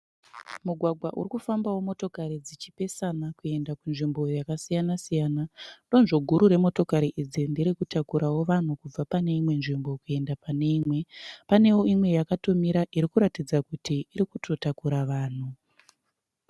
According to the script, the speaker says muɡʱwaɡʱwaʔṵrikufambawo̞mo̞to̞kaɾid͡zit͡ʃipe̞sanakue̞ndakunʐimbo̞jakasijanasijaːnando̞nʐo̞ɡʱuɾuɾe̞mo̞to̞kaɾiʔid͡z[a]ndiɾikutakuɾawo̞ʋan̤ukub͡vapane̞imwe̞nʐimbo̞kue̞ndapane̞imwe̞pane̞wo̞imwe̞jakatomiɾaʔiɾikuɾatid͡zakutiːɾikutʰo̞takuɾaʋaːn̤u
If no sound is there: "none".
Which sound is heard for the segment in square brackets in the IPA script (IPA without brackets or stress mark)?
i